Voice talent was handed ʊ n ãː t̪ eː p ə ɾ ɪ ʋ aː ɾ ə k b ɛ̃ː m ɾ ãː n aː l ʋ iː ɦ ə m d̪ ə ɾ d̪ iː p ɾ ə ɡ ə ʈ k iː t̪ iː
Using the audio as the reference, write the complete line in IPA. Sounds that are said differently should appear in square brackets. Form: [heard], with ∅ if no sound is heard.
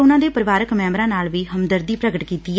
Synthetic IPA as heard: ʊ n ãː [d̪] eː p ə ɾ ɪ ʋ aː ɾ ə k [m] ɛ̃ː m ɾ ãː n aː l ʋ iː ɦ ə m d̪ ə ɾ d̪ iː p ɾ ə ɡ ə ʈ k iː t̪ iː